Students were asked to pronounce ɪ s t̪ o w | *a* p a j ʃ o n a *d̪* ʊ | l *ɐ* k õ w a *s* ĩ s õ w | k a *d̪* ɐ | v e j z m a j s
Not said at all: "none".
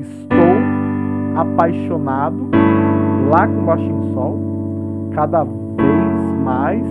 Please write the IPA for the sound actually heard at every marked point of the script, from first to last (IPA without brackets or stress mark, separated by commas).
a, d̪, a, ʃ, d̪